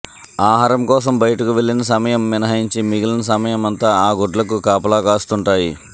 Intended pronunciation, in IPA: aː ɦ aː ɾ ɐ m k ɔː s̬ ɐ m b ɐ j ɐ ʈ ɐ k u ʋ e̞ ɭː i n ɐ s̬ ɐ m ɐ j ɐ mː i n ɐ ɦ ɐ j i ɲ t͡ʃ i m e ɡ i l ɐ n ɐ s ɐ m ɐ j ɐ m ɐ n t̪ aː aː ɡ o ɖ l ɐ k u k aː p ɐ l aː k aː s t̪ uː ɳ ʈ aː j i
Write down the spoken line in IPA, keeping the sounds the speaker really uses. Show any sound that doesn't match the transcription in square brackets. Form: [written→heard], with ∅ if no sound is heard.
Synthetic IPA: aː ɦ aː ɾ ɐ m k ɔː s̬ ɐ m b ɐ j ɐ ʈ ɐ k u ʋ e̞ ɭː i n ɐ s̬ ɐ m ɐ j ɐ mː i n ɐ ɦ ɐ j i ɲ t͡ʃ i m [e→i] ɡ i l ɐ n ɐ s ɐ m ɐ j ɐ m ɐ n t̪ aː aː ɡ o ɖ l ɐ k u k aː p ɐ l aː k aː s t̪ [uː→u] ɳ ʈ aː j i